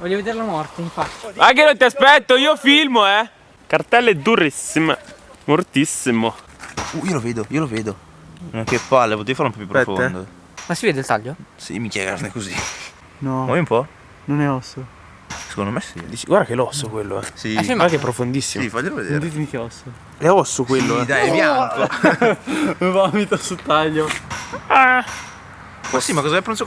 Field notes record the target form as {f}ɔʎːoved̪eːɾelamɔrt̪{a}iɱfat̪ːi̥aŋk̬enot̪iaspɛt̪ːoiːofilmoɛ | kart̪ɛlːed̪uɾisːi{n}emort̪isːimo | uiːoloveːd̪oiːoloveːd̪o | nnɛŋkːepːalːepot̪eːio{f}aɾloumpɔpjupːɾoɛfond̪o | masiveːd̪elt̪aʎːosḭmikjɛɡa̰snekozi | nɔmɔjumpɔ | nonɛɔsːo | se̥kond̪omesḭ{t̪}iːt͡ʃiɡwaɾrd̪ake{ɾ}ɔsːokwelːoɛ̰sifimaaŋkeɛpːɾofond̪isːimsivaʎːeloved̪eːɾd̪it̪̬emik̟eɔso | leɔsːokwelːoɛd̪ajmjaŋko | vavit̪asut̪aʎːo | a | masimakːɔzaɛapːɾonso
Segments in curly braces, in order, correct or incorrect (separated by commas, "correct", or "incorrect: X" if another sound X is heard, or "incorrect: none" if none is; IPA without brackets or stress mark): incorrect: v, incorrect: e, incorrect: m, correct, incorrect: d̪, incorrect: l